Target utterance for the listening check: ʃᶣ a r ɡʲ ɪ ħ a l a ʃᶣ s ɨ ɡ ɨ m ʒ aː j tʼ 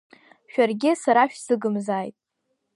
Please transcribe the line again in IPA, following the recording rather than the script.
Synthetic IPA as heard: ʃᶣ a r ɡʲ ɪ s a ɾ a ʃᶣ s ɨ ɡ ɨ m z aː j tʼ